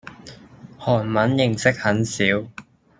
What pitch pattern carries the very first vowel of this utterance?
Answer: low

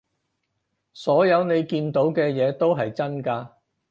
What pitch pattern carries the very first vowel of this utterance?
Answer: rising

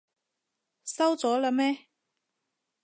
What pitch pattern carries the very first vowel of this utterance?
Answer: high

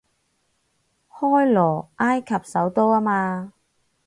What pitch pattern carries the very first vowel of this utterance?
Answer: high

